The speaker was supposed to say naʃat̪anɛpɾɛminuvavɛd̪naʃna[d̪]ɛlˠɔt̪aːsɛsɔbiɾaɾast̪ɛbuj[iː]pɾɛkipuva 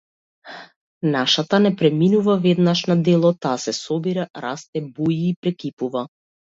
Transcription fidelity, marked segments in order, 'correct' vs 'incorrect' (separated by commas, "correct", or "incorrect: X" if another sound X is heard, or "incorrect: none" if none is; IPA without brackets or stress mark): correct, correct